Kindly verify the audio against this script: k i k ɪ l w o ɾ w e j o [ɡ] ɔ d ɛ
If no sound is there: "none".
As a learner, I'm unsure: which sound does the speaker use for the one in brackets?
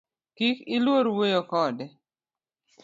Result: k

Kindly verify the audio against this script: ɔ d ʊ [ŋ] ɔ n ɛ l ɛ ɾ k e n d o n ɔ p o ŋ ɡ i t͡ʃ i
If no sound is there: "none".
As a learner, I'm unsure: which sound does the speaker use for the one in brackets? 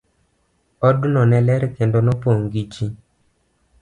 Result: n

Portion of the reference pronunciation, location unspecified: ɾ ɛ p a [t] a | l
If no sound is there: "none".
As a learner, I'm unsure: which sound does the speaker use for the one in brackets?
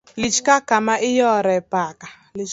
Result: k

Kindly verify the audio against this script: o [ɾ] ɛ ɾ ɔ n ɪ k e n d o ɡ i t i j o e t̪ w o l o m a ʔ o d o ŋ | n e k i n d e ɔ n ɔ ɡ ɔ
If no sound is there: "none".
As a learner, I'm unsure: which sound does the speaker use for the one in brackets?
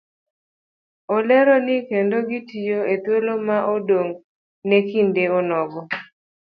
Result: l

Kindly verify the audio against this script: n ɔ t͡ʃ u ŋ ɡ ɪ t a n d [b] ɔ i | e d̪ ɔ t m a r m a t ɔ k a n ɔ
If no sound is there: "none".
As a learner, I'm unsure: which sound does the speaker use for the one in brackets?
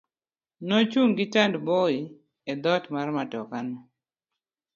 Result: b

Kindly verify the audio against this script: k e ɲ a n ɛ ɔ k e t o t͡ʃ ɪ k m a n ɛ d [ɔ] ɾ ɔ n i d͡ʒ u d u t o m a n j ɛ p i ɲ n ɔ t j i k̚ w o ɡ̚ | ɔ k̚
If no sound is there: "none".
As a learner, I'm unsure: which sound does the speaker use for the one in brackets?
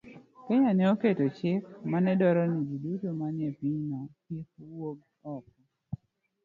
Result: ɔ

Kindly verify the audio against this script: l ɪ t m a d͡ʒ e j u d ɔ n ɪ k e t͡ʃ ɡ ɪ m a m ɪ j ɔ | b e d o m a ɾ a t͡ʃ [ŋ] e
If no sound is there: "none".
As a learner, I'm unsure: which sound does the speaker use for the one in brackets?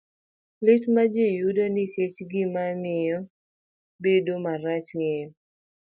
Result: ŋ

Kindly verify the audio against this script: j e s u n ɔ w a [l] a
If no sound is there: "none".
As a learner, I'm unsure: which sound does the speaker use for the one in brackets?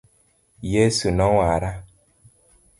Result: ɾ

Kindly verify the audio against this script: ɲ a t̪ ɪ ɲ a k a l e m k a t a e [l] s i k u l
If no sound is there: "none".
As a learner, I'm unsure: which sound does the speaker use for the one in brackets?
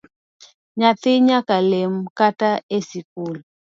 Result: none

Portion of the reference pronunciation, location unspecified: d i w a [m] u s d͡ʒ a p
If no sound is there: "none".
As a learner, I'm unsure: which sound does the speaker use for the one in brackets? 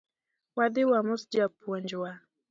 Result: m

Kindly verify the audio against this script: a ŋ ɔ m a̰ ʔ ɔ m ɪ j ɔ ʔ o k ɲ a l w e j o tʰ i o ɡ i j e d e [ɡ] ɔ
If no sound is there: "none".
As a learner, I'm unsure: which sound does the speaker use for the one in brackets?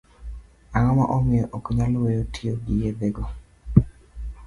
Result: ɡ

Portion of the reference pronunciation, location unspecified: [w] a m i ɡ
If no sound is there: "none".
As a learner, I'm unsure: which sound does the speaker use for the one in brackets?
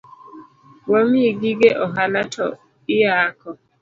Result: w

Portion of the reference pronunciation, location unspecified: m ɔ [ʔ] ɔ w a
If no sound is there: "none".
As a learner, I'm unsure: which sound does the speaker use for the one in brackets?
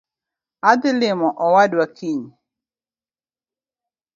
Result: ʔ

